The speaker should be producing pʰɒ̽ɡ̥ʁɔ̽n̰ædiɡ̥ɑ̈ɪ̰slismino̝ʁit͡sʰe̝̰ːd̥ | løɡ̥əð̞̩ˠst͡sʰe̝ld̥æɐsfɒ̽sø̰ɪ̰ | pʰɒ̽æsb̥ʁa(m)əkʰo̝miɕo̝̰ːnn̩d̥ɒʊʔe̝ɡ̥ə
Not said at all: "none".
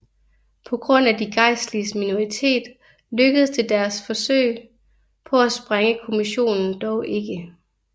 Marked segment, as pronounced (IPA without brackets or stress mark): ŋ